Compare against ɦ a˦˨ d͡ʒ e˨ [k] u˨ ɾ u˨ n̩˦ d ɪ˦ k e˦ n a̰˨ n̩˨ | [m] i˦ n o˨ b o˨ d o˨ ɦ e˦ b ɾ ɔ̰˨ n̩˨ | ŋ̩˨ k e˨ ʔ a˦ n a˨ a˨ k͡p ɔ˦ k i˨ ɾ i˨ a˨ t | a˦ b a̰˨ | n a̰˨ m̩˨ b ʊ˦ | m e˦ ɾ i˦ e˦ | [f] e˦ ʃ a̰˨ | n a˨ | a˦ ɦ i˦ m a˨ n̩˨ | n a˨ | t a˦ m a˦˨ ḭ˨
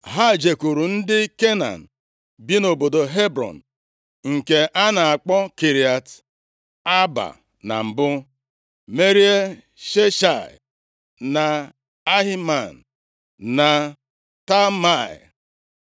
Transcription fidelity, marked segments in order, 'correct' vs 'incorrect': correct, incorrect, incorrect

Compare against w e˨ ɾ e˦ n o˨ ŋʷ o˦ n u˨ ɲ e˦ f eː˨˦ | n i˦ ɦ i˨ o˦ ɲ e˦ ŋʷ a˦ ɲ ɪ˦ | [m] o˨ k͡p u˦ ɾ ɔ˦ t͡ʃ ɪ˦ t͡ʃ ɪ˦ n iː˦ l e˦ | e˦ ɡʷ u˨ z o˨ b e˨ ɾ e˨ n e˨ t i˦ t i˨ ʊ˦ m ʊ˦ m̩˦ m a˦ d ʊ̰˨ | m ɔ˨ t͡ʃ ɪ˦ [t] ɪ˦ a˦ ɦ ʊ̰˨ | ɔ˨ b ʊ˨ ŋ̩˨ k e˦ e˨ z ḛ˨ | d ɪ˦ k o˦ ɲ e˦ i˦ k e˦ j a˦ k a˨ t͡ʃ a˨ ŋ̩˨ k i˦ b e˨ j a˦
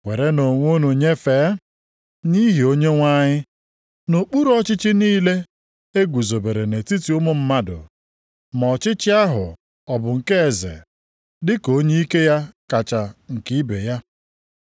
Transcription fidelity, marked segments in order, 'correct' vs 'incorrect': incorrect, incorrect

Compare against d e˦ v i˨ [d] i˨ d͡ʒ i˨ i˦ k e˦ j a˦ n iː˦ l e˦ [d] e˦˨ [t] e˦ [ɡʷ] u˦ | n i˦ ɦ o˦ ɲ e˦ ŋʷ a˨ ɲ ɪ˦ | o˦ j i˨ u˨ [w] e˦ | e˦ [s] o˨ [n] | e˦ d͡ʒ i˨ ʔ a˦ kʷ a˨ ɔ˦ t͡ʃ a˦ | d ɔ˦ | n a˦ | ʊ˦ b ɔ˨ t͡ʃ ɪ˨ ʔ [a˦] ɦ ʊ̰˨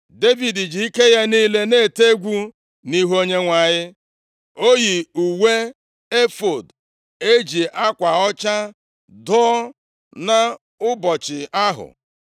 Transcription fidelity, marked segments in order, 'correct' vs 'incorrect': correct, incorrect, correct, correct, correct, incorrect, incorrect, correct

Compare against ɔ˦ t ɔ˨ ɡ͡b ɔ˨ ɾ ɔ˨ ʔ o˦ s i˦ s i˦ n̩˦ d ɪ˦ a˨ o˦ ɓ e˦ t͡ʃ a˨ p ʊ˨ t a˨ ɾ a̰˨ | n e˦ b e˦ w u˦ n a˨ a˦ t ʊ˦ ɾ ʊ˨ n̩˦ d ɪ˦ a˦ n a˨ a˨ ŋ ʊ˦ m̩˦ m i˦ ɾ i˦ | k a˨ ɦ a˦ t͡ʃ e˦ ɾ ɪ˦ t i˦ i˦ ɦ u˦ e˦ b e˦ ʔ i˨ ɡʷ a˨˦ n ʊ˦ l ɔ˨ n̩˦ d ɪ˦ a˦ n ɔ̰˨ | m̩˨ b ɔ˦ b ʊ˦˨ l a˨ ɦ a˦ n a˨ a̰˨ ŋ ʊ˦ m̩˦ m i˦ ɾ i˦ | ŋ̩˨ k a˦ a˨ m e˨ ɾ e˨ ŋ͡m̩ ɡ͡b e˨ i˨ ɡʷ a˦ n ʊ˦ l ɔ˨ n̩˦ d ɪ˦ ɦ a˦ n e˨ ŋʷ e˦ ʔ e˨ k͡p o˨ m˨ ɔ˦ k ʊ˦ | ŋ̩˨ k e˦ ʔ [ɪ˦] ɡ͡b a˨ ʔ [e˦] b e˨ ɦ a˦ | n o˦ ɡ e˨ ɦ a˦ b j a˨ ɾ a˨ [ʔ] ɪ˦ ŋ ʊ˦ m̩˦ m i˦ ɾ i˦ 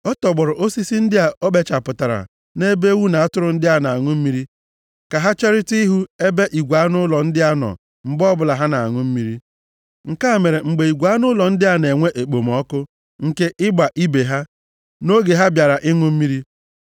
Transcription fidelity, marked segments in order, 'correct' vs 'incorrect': correct, incorrect, correct

